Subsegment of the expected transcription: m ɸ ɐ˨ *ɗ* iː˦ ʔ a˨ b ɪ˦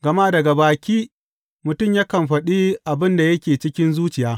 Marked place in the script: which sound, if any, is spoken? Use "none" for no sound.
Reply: ɗ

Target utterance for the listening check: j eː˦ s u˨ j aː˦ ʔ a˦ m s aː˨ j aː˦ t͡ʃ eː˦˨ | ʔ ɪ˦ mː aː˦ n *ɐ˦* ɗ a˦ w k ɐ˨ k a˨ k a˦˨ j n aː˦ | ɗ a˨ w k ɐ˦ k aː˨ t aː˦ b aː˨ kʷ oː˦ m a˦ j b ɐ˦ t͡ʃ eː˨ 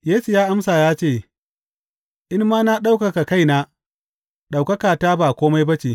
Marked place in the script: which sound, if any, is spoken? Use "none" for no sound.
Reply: a˦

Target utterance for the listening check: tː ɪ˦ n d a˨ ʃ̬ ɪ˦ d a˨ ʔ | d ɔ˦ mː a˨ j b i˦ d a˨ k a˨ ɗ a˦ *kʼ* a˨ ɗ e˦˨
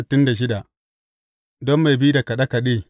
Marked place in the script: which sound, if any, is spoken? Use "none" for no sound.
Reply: k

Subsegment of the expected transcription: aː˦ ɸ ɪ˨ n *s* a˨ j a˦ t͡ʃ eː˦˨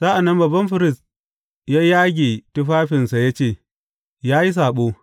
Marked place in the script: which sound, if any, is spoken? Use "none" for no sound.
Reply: s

